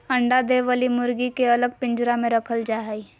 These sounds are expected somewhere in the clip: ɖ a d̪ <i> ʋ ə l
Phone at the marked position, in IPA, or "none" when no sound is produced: e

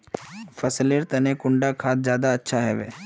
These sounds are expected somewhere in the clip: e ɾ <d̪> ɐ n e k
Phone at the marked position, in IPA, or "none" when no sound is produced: t̪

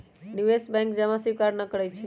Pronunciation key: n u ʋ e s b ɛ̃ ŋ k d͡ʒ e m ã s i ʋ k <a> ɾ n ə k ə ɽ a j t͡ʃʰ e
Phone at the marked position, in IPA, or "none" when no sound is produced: a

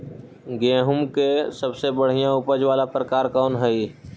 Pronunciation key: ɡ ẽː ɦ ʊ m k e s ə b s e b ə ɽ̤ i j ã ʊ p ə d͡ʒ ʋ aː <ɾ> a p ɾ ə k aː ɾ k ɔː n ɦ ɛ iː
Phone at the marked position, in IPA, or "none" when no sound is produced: l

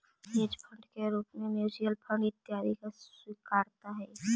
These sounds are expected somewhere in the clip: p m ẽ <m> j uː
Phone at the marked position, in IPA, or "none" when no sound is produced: m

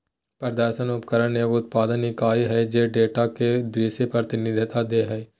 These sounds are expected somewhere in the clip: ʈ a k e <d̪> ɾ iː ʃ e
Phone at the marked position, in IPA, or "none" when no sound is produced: d̪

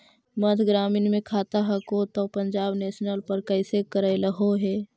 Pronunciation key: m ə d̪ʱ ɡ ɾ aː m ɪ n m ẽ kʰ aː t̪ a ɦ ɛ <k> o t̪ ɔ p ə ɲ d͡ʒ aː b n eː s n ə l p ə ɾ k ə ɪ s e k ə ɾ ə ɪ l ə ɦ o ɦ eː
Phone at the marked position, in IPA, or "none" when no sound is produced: k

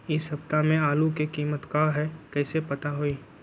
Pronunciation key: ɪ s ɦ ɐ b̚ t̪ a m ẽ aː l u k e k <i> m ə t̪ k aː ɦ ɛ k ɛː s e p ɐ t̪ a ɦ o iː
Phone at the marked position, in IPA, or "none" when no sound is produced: iː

